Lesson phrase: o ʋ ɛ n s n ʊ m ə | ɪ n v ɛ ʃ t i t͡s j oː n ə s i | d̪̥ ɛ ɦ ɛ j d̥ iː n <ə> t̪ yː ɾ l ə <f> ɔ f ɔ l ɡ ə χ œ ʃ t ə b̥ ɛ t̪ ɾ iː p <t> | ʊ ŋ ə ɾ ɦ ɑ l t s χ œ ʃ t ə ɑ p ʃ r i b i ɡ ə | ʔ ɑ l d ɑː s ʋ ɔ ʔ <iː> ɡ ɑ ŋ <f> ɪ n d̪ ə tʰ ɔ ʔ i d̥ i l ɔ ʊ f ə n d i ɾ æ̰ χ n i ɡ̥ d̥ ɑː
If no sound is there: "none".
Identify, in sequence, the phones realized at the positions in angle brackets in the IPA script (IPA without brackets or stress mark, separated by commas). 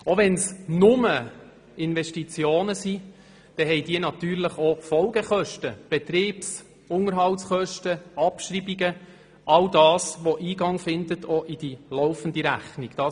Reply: ɑ, χ, s, iː, f